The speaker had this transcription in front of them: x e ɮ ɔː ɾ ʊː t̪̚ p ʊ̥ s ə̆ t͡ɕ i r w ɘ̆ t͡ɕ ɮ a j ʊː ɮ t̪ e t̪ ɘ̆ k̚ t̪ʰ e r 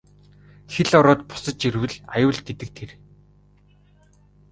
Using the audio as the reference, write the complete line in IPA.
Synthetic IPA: x e ɮ ɔ ɾ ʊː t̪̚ p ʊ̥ s ə̆ t͡ɕ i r w ɘ̆ ɮ a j ʊː ɮ t̪ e t̪ ɘ̆ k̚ t̪ʰ e r